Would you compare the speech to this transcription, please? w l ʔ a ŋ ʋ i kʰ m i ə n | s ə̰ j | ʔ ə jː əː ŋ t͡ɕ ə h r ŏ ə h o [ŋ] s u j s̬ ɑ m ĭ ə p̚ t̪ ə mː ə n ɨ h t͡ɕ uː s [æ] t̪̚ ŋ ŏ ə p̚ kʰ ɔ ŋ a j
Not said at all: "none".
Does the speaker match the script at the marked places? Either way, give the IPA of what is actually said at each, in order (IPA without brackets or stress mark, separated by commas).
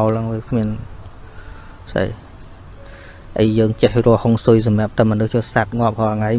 ŋ, a